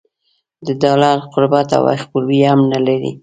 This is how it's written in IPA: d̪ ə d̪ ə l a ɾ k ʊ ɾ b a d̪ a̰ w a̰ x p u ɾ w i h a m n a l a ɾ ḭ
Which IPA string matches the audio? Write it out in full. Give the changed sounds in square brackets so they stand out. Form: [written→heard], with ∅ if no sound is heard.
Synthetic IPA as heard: d̪ ə d̪ [ə→ɑ] l a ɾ [k→q] ʊ ɾ b a [d̪→t̪] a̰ w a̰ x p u ɾ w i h a m n a l a ɾ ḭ